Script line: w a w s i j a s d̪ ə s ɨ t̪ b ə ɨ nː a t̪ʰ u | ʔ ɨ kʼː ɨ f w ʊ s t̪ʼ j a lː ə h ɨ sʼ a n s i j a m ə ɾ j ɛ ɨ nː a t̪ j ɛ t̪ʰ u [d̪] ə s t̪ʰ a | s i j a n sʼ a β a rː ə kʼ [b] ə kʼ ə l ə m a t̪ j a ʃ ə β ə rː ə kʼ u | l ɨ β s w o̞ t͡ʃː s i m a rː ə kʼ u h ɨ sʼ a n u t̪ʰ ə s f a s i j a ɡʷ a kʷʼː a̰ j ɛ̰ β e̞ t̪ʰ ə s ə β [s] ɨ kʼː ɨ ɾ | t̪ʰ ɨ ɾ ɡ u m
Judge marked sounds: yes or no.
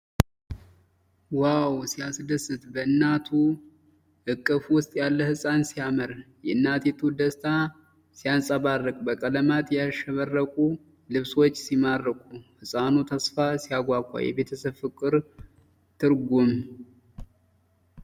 yes, yes, no

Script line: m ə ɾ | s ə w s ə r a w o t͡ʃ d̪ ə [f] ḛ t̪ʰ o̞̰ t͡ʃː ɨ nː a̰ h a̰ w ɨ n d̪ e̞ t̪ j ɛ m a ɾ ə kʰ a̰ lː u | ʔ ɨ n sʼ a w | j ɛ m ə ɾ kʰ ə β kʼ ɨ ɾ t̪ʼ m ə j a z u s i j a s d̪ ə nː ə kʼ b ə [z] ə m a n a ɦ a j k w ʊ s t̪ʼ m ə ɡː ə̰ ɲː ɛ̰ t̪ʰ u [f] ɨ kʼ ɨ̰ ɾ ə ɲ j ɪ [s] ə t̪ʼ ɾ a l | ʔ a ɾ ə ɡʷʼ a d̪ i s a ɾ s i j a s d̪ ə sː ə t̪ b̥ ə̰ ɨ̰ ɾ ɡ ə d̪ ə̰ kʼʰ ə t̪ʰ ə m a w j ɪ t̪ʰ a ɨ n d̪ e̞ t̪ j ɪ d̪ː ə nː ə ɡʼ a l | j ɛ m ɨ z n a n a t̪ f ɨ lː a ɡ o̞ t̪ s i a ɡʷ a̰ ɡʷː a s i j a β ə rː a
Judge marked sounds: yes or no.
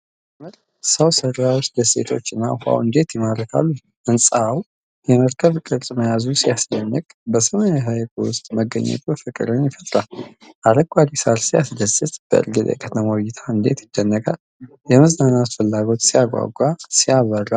no, no, yes, no

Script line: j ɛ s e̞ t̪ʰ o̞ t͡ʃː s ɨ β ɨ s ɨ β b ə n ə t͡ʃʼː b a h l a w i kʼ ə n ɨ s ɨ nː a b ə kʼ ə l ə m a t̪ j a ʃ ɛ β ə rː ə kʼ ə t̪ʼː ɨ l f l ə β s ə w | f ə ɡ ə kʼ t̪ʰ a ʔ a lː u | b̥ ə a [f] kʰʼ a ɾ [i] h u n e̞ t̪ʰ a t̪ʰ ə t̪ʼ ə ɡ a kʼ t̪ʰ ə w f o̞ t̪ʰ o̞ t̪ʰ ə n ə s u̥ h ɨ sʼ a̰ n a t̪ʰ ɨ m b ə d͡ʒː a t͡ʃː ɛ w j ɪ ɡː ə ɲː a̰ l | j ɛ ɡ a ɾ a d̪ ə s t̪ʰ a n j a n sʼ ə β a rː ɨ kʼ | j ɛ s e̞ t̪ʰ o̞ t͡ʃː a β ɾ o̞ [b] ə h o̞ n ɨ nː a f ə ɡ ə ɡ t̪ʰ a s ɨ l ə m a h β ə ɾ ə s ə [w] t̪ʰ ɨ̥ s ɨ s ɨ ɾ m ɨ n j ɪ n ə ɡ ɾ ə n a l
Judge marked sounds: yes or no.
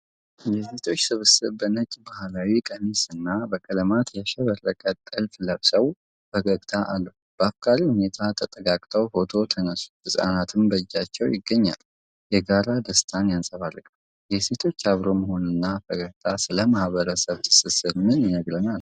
yes, yes, no, no

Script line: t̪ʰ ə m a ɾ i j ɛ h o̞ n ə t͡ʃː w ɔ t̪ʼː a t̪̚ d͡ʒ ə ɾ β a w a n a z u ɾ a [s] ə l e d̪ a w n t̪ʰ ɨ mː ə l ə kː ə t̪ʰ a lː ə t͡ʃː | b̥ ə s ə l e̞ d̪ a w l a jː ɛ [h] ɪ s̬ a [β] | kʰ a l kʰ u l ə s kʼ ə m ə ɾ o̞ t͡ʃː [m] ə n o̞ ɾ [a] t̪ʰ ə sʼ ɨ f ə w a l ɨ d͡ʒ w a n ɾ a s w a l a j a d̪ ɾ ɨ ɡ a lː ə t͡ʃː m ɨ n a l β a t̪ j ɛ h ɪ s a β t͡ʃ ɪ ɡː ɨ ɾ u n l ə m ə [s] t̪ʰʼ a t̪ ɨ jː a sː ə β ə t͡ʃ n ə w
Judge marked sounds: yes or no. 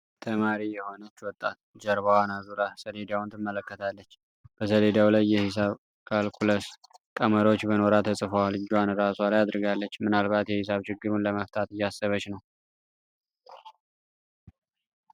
yes, yes, yes, no, yes, no

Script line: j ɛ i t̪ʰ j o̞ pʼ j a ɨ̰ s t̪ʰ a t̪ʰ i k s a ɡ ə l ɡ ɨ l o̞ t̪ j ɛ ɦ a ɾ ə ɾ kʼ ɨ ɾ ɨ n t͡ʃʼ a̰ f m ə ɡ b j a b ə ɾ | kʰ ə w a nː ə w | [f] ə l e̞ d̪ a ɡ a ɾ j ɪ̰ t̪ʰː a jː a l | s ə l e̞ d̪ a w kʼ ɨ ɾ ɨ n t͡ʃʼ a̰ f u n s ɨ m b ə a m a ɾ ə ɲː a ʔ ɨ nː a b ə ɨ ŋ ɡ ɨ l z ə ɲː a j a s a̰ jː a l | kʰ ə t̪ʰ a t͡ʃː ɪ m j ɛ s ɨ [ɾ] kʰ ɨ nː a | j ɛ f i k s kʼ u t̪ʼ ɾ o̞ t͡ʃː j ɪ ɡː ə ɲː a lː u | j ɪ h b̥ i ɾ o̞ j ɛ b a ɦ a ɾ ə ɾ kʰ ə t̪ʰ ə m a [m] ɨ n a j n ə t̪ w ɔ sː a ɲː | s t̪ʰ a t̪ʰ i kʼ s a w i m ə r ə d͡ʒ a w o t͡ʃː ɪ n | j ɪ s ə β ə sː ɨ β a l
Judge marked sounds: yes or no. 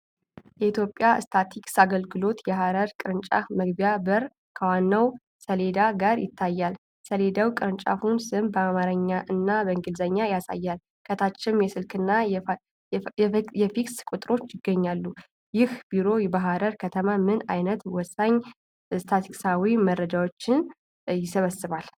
no, no, yes

